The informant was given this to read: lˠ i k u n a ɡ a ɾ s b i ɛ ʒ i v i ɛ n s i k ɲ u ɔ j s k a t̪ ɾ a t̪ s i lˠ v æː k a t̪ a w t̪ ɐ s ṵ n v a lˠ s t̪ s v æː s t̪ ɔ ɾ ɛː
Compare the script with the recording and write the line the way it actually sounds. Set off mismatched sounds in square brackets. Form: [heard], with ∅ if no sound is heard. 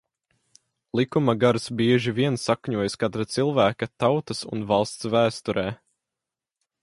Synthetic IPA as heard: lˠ i k u [m] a ɡ a ɾ s b i ɛ ʒ i v i ɛ n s [a] k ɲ u ɔ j s k a t̪ ɾ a t̪ s i lˠ v æː k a t̪ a w t̪ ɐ s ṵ n v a lˠ s t̪ s v æː s t̪ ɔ ɾ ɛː